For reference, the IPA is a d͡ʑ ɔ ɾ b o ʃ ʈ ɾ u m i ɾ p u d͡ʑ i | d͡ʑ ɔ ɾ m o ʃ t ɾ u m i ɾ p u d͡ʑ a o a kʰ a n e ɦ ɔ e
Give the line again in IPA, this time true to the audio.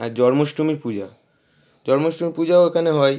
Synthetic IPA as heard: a d͡ʑ ɔ ɾ m o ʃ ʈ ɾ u m i ɾ p u d͡ʑ a | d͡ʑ ɔ ɾ m o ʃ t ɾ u m i ɾ p u d͡ʑ a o e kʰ a n e ɦ ɔ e